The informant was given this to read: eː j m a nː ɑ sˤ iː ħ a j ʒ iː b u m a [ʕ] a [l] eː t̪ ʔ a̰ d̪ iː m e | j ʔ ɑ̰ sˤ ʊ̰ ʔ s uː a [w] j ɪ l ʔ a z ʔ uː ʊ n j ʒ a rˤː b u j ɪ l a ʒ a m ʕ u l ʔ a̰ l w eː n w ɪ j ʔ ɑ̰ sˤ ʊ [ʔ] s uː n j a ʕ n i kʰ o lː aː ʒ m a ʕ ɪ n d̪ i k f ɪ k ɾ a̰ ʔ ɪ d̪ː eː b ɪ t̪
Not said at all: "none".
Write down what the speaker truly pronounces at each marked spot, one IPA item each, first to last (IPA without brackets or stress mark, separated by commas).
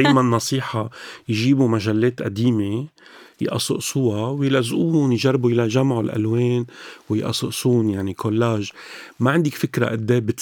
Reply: ʒ, lː, w, ʔ